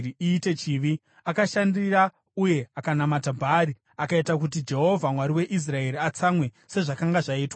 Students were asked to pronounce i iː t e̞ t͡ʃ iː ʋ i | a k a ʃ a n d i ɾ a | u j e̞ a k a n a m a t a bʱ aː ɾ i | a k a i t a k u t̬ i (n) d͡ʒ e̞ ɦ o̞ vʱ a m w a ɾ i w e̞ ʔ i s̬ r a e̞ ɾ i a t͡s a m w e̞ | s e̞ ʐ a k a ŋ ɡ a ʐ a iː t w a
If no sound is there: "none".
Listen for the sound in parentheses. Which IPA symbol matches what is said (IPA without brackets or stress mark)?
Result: none